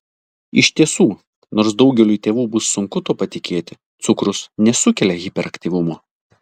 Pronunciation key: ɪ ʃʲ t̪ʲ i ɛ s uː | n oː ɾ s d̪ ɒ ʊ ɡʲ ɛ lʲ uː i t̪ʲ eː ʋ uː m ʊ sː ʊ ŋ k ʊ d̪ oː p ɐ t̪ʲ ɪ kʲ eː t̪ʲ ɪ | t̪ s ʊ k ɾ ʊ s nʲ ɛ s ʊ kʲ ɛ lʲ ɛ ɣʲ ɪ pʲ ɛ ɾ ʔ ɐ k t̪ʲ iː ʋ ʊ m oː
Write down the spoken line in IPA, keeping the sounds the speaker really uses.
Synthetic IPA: ɪ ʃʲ t̪ʲ i ɛ s uː | n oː ɾ s d̪ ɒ ʊ ɡʲ ɛ lʲ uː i t̪ʲ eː ʋ uː b ʊ sː ʊ ŋ k ʊ t̪ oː p ɐ t̪ʲ ɪ kʲ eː t̪ʲ ɪ | t̪ s ʊ k ɾ ʊ s nʲ ɛ s ʊ kʲ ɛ lʲ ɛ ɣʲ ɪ pʲ ɛ ɾ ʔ ɐ k t̪ʲ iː ʋ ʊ m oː

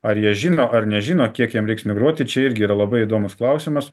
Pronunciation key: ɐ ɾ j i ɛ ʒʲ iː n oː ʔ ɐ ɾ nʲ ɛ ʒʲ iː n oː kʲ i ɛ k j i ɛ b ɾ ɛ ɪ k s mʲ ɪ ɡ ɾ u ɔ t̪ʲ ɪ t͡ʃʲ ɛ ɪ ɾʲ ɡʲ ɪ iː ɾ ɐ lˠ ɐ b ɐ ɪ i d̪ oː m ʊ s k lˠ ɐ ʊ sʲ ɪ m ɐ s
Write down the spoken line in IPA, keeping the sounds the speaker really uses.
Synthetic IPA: ɐ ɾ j i ɛ ʒʲ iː n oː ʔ ɐ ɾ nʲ ɛ ʒʲ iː n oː kʲ i ɛ k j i ɛ m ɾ ɛ ɪ k s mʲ ɪ ɡ ɾ u ɔ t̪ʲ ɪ t͡ʃʲ ɛ ɪ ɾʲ ɡʲ ɪ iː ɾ ɐ lˠ ɐ b ɐ ɪ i d̪ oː m ʊ s k lˠ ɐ ʊ sʲ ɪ m ɐ s

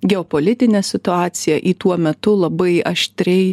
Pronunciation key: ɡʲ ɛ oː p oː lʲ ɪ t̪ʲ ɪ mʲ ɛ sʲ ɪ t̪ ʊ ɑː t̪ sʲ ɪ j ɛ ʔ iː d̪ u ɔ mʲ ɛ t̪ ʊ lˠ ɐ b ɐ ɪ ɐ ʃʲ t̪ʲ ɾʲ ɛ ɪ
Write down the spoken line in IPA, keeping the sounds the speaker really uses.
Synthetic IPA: ɡʲ ɛ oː p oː lʲ ɪ t̪ʲ ɪ nʲ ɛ sʲ ɪ t̪ ʊ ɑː t̪ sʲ ɪ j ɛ ʔ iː t̪ u ɔ mʲ ɛ t̪ ʊ lˠ ɐ b ɐ ɪ ɐ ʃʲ t̪ʲ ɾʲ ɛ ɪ

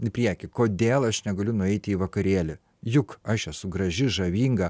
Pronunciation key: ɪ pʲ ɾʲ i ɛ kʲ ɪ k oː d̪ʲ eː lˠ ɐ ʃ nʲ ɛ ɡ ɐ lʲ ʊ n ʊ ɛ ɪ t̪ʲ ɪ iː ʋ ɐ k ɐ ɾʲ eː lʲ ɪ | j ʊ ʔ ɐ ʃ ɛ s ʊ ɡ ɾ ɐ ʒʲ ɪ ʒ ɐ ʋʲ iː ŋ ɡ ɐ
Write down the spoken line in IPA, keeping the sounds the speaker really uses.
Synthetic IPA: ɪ pʲ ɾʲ i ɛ kʲ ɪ k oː d̪ʲ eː lˠ ɐ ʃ nʲ ɛ ɡ ɐ lʲ ʊ n ʊ ɛ ɪ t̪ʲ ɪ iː ʋ ɐ k ɐ ɾʲ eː lʲ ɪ | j ʊ k ɐ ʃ ɛ s ʊ ɡ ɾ ɐ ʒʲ ɪ ʒ ɐ ʋʲ iː ŋ ɡ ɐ

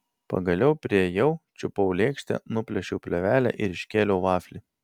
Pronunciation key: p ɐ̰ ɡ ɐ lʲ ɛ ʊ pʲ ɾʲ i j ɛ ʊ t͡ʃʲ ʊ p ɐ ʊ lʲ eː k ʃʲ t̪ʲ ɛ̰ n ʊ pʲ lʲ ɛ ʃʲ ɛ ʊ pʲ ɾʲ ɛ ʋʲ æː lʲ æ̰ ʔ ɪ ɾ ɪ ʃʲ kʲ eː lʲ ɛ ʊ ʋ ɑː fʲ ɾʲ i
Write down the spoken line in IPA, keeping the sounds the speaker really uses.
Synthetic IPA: p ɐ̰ ɡ ɐ lʲ ɛ ʊ pʲ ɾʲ i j ɛ ʊ t͡ʃʲ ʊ p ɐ ʊ lʲ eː k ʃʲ t̪ʲ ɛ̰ n ʊ pʲ lʲ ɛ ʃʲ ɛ ʊ pʲ lʲ ɛ ʋʲ æː lʲ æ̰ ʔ ɪ ɾ ɪ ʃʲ kʲ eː lʲ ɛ ʊ ʋ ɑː fʲ lʲ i

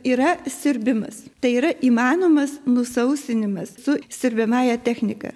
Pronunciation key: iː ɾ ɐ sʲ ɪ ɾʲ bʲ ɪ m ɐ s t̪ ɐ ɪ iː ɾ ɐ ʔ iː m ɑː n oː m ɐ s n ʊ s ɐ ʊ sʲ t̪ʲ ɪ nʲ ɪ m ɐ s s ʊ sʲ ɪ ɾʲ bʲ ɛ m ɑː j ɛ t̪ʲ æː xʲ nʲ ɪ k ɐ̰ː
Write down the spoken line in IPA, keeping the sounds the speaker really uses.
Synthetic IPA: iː ɾ ɐ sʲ ɪ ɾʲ bʲ ɪ m ɐ s t̪ ɐ ɪ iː ɾ ɐ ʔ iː m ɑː n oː m ɐ s n ʊ s ɐ ʊ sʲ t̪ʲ ɪ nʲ ɪ m ɐ s s ʊ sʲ ɪ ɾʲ bʲ ɛ m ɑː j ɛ t̪ʲ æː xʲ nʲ ɪ k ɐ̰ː

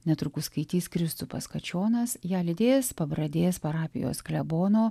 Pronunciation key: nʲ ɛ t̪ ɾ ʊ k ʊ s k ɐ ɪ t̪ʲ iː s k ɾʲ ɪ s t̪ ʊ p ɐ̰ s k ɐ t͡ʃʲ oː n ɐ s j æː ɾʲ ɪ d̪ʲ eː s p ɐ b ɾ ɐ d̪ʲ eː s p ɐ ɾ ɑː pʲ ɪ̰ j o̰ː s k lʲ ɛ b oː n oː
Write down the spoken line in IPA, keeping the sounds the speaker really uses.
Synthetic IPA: nʲ ɛ t̪ ɾ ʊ k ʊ s k ɐ ɪ t̪ʲ iː s k ɾʲ ɪ s t̪ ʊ p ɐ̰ s k ɐ t͡ʃʲ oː n ɐ s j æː lʲ ɪ d̪ʲ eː s p ɐ b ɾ ɐ d̪ʲ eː s p ɐ ɾ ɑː pʲ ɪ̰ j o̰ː s k lʲ ɛ b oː n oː

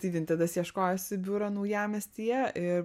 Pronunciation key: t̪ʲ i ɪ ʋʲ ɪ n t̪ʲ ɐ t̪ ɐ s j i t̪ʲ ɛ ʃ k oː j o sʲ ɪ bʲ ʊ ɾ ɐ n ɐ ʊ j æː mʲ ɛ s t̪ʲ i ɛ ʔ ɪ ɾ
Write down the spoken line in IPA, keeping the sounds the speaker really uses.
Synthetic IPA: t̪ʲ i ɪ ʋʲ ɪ n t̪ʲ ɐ d̪ ɐ s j i ɛ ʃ k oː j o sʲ ɪ bʲ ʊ ɾ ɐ n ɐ ʊ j æː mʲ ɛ s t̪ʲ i ɛ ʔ ɪ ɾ

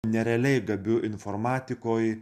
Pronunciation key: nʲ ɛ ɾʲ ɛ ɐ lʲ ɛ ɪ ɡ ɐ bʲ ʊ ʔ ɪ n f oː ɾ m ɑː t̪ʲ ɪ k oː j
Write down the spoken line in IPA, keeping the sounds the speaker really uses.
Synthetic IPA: nʲ ɛ ɾʲ ɛ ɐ lʲ ɛ ɪ ɡ ɐ bʲ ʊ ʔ ɪ n f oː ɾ m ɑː t̪ʲ ɪ k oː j

